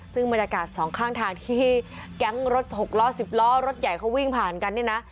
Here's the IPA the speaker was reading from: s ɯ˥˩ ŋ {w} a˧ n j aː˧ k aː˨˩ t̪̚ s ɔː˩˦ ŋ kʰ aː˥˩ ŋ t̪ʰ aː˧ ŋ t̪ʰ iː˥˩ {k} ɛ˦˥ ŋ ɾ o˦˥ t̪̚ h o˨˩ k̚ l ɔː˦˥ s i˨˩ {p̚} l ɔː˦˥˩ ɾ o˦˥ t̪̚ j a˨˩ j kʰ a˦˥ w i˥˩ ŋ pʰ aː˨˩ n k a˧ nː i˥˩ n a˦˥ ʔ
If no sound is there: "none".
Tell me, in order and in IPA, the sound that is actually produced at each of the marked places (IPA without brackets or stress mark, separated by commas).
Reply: b, k, p̚